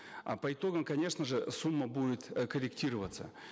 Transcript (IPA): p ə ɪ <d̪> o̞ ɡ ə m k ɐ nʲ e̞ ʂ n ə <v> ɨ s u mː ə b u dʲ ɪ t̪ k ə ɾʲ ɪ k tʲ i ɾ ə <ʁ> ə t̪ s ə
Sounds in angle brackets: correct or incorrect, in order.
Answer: incorrect, incorrect, incorrect

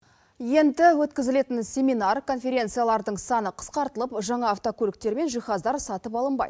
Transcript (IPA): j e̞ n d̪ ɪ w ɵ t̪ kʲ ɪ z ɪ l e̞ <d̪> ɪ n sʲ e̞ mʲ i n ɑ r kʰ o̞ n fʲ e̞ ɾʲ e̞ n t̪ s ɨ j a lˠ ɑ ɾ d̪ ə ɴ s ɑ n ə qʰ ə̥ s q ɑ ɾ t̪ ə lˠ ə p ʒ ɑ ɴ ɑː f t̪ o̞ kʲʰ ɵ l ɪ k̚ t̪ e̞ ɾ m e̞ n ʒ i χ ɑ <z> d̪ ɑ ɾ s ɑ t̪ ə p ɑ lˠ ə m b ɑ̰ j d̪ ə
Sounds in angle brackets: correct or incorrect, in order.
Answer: incorrect, correct

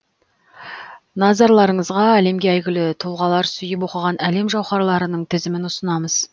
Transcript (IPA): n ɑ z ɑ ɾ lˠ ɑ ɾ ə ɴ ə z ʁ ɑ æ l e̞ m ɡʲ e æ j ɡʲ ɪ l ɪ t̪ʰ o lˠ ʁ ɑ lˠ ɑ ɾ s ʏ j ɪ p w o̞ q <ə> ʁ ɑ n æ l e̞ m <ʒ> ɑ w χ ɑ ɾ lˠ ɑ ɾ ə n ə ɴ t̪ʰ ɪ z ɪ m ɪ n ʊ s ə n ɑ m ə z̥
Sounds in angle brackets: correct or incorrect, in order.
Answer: correct, correct

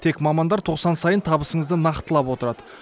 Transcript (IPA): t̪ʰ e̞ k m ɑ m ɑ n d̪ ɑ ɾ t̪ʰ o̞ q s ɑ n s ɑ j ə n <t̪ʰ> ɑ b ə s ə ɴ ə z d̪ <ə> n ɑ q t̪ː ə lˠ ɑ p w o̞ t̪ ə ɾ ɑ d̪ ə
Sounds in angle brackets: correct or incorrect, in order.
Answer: correct, correct

